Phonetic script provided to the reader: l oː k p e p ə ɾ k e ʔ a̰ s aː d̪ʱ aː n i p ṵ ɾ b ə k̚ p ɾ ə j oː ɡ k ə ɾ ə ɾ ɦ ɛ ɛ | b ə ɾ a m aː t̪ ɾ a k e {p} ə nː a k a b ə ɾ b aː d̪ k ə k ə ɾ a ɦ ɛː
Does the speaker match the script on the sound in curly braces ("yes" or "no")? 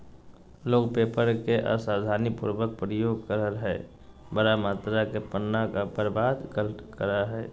yes